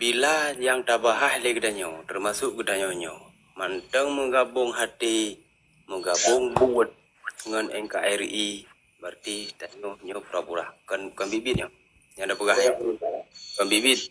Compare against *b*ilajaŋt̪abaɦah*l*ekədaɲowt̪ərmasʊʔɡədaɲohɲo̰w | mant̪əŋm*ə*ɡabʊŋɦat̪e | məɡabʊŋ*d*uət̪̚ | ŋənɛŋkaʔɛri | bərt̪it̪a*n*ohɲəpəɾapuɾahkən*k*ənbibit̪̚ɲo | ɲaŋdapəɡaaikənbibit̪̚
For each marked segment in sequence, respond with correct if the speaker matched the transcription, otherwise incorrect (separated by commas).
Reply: correct, correct, correct, incorrect, incorrect, correct